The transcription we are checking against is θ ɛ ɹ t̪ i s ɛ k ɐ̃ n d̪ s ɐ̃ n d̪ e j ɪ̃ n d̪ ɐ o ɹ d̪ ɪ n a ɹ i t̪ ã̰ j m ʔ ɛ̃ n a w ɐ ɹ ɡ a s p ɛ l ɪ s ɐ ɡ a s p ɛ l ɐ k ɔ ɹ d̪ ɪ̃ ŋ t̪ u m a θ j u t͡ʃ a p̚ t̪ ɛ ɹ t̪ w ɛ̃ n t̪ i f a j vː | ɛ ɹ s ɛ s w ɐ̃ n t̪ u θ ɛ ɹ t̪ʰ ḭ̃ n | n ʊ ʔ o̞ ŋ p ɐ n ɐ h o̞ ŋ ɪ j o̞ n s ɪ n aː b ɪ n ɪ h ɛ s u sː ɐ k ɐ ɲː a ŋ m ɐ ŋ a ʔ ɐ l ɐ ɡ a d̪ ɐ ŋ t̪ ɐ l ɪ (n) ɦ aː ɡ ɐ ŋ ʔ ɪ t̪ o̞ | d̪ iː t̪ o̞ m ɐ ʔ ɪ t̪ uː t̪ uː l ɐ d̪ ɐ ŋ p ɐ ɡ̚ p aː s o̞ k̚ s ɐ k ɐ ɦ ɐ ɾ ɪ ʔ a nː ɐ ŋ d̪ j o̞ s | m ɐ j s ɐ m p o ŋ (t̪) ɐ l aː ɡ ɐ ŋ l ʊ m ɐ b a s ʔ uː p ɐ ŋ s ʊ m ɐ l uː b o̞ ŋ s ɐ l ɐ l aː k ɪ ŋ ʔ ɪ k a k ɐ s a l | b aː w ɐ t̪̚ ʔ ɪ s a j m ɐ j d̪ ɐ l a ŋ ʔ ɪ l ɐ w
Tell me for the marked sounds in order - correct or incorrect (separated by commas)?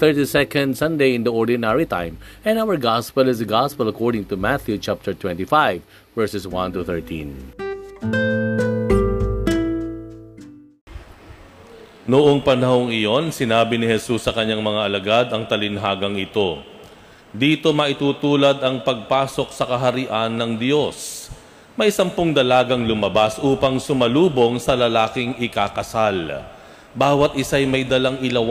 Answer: correct, incorrect